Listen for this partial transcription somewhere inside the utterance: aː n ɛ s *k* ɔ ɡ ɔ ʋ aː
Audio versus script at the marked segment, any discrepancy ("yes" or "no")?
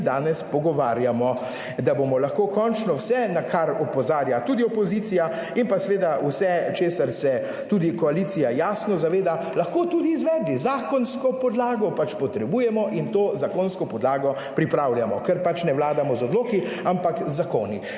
yes